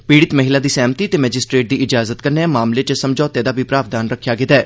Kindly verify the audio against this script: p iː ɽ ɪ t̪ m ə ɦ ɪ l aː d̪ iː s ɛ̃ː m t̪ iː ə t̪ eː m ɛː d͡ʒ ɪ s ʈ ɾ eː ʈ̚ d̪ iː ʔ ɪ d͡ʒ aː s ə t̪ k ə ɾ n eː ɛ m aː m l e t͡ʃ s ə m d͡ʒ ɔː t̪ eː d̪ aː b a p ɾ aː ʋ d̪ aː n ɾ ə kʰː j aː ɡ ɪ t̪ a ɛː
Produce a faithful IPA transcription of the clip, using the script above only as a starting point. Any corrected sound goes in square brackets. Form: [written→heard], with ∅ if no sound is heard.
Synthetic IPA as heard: p iː ɽ ɪ t̪ m ə ɦ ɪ l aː d̪ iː s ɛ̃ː m t̪ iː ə t̪ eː m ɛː d͡ʒ ɪ s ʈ ɾ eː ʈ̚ d̪ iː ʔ ɪ d͡ʒ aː [s→z] ə t̪ k ə ɾ n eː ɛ m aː m l e t͡ʃ s ə m d͡ʒ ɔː t̪ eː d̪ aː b [a→i] p ɾ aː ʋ d̪ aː n ɾ ə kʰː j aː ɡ ɪ t̪ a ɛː